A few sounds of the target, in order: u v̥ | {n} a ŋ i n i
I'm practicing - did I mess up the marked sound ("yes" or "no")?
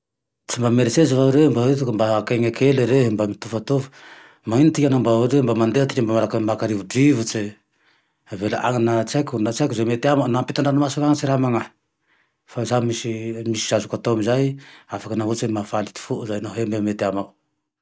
yes